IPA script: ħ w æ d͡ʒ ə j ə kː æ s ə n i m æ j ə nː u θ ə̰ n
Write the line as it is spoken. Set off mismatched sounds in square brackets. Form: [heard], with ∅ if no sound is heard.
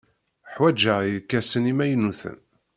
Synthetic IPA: ħ w æ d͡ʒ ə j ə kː æ s ə n i m æ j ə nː u θ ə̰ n